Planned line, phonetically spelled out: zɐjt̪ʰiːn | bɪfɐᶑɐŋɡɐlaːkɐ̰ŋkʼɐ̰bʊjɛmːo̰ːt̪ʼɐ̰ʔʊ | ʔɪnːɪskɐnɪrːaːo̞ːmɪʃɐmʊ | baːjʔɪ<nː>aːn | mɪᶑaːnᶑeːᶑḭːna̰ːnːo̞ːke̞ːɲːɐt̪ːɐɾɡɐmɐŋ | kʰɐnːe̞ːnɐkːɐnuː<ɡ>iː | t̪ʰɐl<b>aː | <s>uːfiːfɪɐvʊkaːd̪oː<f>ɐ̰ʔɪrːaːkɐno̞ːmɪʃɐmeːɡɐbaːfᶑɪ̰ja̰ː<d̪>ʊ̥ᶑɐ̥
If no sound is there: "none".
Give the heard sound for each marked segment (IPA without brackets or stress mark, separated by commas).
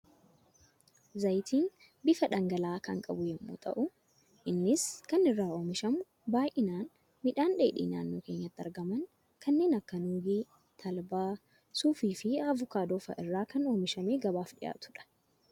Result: n, ɡ, b, s, f, t̪